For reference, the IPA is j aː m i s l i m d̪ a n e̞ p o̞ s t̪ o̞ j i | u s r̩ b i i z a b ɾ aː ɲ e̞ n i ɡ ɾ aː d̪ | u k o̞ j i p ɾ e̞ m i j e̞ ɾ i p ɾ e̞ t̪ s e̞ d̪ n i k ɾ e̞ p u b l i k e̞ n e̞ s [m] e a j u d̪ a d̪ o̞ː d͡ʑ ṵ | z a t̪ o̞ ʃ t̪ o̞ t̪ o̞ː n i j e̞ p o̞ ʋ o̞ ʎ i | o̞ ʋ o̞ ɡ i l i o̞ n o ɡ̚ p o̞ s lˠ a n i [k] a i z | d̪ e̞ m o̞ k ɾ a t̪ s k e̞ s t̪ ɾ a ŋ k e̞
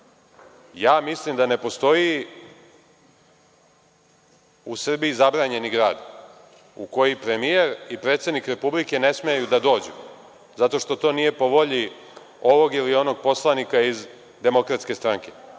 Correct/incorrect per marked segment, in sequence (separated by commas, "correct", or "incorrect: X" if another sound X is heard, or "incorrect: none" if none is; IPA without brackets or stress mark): correct, correct